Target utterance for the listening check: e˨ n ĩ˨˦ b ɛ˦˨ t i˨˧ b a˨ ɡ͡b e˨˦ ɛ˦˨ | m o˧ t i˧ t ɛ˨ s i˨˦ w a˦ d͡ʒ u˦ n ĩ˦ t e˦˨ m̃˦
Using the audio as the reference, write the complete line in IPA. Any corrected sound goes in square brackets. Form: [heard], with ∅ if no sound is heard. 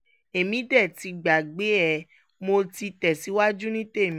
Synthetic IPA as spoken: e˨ [m] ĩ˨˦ [d] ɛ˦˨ t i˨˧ [ɡ͡b] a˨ ɡ͡b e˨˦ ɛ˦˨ | m o˧ t i˧ t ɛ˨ s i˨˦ w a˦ d͡ʒ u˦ n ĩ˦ t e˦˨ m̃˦